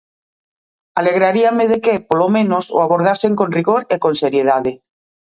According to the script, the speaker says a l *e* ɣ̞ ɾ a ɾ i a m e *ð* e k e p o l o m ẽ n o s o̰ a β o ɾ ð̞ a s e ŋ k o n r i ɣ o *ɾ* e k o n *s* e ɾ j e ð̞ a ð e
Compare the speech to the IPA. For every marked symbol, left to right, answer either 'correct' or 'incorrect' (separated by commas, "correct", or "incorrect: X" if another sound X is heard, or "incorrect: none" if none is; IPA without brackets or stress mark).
correct, correct, correct, correct